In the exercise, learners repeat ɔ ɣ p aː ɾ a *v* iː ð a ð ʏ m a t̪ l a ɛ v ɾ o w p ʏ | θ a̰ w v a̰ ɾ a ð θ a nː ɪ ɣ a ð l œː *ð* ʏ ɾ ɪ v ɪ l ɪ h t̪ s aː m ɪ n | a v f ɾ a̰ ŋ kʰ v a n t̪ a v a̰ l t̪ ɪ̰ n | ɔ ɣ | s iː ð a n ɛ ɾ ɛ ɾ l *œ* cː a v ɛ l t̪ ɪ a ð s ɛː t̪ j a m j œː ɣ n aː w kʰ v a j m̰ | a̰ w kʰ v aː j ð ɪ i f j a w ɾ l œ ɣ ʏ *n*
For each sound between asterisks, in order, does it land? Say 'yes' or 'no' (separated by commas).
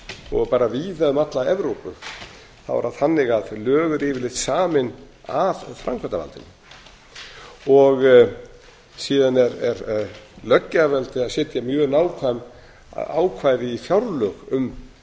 yes, no, yes, no